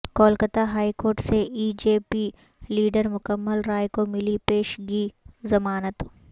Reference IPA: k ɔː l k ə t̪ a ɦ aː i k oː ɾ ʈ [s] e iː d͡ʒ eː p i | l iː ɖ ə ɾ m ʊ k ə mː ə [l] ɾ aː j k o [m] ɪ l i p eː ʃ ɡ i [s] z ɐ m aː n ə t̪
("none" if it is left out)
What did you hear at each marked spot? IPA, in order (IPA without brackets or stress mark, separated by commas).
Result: s, l, m, none